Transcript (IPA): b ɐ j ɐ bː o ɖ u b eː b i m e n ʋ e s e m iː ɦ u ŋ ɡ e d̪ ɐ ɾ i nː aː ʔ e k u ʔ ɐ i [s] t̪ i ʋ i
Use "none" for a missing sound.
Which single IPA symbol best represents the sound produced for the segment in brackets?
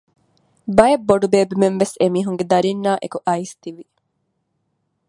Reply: s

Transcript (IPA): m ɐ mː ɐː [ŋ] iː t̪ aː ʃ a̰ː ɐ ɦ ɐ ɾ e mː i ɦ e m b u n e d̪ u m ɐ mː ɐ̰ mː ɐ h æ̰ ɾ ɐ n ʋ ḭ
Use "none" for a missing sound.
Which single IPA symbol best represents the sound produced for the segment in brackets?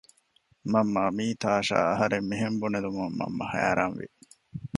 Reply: m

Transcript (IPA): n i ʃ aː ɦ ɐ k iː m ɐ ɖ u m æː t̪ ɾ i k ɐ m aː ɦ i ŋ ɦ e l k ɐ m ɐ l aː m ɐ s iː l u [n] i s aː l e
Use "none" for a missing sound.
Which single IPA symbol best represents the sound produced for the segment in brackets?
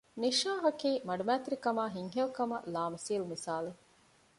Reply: m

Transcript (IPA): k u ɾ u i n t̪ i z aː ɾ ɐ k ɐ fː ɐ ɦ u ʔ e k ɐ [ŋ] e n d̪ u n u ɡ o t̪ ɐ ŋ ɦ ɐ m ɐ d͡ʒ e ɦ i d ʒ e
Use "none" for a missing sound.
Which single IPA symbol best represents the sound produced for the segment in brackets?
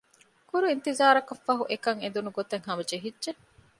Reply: ŋ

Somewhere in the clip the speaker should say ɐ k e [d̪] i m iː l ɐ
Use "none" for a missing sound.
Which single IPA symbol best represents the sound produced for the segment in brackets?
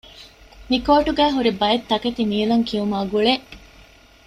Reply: t̪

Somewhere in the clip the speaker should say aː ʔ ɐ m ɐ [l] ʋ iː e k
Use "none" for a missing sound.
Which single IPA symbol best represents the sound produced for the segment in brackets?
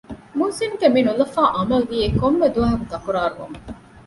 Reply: l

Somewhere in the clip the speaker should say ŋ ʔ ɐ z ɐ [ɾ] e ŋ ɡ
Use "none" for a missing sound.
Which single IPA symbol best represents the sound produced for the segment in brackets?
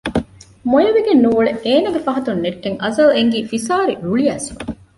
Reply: l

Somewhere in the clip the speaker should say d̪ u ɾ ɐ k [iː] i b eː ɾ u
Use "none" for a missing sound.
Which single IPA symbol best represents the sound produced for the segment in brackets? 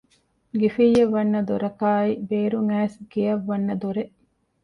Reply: aː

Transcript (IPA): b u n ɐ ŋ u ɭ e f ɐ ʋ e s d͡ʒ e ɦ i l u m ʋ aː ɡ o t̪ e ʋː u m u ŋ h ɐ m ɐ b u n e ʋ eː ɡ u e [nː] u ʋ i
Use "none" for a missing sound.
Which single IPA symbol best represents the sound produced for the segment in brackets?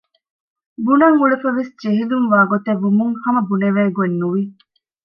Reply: nː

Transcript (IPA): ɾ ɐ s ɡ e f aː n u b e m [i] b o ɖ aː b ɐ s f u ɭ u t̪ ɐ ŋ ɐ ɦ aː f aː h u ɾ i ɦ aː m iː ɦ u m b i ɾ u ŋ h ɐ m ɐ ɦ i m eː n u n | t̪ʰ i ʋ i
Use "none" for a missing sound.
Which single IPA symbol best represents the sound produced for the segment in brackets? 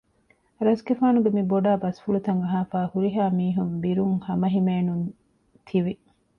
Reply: i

